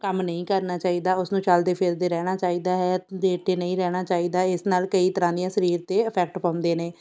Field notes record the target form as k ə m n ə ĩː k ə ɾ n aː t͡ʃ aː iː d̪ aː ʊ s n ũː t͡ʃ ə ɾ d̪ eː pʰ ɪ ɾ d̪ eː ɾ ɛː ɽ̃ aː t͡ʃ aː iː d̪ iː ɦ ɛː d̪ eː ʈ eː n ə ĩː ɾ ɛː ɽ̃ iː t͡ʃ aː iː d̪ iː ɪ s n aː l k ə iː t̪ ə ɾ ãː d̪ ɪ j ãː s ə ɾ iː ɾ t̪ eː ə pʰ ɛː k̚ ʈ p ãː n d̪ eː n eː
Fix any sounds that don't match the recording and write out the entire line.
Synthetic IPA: k ə m n ə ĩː k ə ɾ n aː t͡ʃ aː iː d̪ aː ʊ s n ũː t͡ʃ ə l d̪ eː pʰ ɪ ɾ d̪ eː ɾ ɛː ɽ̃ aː t͡ʃ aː iː d̪ aː ɦ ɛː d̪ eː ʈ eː n ə ĩː ɾ ɛː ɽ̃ aː t͡ʃ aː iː d̪ aː ɪ s n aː l k ə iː t̪ ə ɾ ãː d̪ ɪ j ãː s ə ɾ iː ɾ t̪ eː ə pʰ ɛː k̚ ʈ p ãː n d̪ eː n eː